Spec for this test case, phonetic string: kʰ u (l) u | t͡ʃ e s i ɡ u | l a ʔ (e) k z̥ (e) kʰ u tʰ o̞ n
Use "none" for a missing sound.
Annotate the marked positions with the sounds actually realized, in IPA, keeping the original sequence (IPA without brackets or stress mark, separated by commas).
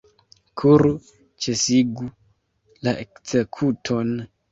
ɾ, e, e